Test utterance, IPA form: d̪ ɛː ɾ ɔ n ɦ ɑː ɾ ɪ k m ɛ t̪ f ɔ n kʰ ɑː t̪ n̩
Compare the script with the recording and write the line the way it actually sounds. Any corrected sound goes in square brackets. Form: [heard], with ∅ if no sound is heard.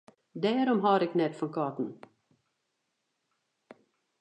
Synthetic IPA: d̪ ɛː ɾ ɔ [m] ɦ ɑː ɾ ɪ k [n] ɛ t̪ f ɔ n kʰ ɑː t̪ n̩